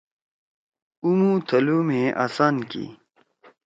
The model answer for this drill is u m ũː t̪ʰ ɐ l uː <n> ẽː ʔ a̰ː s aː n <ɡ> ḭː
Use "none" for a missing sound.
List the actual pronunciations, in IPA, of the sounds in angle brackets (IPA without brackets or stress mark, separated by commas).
m, k